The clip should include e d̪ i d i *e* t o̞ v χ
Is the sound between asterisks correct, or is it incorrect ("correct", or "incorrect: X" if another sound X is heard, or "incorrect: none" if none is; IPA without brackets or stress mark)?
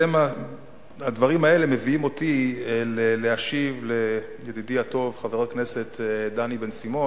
incorrect: a